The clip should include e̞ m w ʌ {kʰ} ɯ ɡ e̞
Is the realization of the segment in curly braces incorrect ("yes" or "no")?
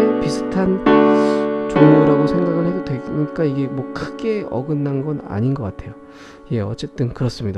no